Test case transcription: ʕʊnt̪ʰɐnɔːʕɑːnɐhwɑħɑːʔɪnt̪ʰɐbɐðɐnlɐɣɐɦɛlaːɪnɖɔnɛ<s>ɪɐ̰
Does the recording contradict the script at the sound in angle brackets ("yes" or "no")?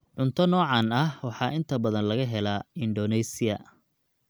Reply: no